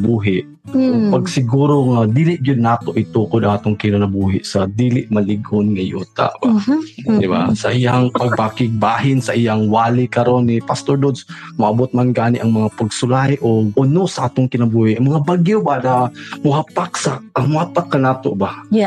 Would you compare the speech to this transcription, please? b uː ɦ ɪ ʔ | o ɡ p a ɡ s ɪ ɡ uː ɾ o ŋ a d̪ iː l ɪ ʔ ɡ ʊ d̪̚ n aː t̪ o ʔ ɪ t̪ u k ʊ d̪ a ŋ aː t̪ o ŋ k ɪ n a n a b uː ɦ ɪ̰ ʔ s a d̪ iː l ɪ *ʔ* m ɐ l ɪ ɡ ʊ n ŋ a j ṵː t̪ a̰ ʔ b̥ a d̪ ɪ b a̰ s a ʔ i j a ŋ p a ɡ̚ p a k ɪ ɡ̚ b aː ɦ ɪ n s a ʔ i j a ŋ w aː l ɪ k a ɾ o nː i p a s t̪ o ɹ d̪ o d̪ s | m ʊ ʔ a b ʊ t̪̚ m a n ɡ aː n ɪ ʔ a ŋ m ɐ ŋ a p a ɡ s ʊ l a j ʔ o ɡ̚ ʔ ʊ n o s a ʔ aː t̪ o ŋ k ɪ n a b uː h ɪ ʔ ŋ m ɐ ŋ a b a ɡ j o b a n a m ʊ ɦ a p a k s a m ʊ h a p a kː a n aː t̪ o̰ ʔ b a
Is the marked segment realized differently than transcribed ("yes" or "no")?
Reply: no